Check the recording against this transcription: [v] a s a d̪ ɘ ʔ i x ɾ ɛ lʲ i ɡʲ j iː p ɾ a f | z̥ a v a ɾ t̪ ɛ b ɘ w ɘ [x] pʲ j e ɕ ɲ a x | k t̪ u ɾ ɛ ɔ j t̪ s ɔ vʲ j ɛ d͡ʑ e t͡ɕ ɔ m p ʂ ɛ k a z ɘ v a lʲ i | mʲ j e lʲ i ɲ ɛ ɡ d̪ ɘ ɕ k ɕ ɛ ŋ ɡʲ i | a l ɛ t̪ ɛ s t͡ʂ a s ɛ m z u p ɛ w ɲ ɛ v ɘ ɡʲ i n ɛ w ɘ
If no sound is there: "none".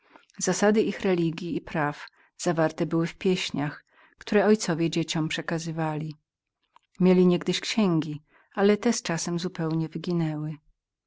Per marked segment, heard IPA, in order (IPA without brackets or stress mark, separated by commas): z, f